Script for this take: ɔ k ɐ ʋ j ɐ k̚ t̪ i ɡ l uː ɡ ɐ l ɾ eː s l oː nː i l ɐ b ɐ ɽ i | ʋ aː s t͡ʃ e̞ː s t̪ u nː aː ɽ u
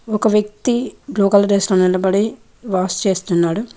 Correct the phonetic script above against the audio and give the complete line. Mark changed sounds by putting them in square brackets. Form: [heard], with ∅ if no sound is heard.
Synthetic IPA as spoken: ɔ k ɐ ʋ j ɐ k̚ t̪ i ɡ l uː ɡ ɐ l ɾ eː s l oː [n] i l ɐ b ɐ ɽ i | ʋ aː s t͡ʃ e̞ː s t̪ u nː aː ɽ u